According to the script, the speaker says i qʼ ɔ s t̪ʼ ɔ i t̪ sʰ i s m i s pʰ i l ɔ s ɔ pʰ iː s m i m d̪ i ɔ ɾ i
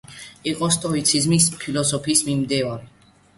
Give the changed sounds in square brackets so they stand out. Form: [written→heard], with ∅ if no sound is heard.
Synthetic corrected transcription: i qʼ ɔ s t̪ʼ ɔ i t̪ sʰ i [s→z] m i s pʰ i l ɔ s ɔ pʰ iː s m i m d̪ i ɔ ɾ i

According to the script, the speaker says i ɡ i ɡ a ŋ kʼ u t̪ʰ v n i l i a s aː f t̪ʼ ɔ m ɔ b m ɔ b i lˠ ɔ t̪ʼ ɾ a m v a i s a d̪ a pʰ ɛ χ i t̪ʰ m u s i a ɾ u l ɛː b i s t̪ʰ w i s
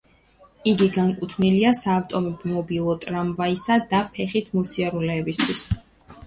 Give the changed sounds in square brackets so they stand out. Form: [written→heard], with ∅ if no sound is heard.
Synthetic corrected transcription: i ɡ i ɡ a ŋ kʼ u t̪ʰ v n i l i a s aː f t̪ʼ ɔ m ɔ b m ɔ b i lˠ ɔ t̪ʼ ɾ a m v a i s a d̪ a pʰ ɛ χ i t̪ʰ m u s i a ɾ u l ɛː b i s t̪ʰ w i s

